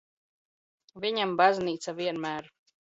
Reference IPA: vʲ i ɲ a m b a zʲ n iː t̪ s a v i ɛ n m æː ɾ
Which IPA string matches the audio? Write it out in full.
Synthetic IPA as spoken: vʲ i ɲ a m b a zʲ n iː t̪ s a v i ɛ n m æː ɾ